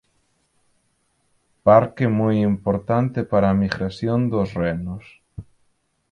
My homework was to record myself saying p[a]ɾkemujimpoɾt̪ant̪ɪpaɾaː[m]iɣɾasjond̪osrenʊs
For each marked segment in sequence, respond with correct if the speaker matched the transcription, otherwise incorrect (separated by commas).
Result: correct, correct